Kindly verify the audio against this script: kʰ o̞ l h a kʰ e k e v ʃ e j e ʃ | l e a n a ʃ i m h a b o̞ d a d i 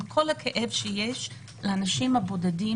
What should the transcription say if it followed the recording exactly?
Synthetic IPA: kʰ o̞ l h a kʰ e ʔ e v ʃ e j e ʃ | l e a n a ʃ i m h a b o̞ d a d i